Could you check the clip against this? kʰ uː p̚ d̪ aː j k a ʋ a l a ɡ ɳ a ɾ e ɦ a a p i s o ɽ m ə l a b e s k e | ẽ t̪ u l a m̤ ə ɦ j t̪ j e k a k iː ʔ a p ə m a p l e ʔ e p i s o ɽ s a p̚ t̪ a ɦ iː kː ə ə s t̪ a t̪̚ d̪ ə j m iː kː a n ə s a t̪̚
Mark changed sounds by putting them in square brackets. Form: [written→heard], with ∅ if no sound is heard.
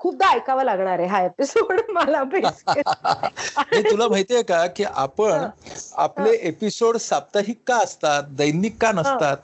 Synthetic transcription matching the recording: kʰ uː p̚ d̪ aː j k a ʋ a l a ɡ ɳ a ɾ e ɦ a [a→e] p i s o ɽ m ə l a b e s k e | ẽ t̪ u l a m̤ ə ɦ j t̪ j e k a k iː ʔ a p ə [m→ɳ] a p l e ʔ e p i s o ɽ s a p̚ t̪ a ɦ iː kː [ə→a] ə s t̪ a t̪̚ d̪ ə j [m→n] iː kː a n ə s a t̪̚